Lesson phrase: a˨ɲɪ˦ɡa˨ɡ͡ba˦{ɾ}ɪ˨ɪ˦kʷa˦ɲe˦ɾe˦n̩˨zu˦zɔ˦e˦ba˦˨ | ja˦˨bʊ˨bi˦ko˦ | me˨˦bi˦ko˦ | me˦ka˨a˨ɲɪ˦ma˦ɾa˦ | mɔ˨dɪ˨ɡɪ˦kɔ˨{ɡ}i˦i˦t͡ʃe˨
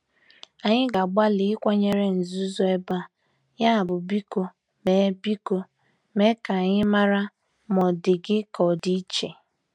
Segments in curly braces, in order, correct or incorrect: incorrect, incorrect

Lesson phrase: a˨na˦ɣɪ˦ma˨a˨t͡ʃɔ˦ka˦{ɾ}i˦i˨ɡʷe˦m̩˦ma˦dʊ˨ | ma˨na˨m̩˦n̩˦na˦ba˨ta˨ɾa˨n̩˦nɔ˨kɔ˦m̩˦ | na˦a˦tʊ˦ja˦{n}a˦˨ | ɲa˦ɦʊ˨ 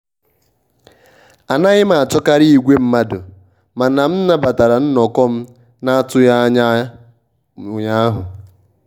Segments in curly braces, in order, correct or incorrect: correct, incorrect

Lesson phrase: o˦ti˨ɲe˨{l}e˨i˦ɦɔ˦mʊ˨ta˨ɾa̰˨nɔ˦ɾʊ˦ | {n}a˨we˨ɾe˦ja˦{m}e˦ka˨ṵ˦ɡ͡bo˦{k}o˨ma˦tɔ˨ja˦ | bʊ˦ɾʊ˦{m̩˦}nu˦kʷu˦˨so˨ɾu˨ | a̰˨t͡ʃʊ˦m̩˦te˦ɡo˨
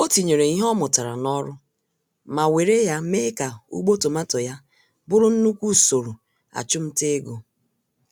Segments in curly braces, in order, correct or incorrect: incorrect, incorrect, correct, incorrect, incorrect

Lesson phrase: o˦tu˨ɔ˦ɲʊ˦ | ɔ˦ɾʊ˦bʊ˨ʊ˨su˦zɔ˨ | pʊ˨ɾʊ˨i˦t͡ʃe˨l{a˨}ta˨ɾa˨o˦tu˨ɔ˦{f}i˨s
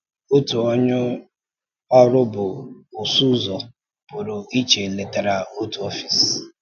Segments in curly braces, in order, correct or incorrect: incorrect, correct

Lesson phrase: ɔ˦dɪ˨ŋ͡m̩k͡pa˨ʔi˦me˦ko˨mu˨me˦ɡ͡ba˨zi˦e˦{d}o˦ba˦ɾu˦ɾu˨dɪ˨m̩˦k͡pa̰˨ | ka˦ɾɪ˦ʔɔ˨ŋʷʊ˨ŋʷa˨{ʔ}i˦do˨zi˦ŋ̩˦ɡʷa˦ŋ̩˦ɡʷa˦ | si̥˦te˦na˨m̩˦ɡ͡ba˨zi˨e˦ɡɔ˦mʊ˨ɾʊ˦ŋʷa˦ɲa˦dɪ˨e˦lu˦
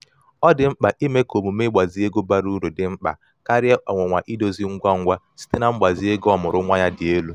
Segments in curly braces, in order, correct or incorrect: incorrect, correct

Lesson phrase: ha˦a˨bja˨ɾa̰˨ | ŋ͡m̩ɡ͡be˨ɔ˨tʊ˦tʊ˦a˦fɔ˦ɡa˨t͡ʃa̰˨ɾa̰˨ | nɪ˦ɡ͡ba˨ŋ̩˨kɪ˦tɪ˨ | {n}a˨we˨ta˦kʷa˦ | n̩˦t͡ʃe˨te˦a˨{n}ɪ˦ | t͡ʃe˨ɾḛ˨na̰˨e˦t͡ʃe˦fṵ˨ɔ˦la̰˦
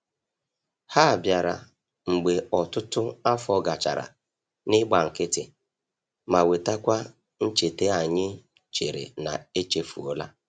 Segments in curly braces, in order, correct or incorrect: incorrect, incorrect

